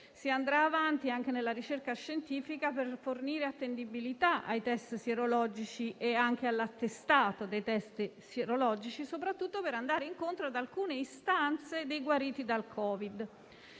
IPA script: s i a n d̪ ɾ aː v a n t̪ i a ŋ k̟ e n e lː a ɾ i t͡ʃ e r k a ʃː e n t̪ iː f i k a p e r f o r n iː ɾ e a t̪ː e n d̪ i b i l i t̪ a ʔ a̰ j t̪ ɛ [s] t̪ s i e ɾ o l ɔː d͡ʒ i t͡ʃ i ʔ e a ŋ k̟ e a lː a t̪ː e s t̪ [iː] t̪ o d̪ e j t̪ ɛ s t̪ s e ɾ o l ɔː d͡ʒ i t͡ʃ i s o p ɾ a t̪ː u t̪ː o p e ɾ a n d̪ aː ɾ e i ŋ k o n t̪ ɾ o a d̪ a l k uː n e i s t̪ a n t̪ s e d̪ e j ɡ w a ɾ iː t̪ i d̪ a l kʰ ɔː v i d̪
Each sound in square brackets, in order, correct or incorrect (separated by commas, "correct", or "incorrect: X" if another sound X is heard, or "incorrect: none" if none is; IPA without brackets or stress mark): correct, incorrect: aː